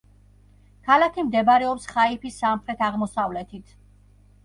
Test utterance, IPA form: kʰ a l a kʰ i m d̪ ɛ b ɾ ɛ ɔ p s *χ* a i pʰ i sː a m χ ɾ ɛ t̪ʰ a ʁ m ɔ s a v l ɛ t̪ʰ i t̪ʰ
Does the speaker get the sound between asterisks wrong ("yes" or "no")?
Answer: no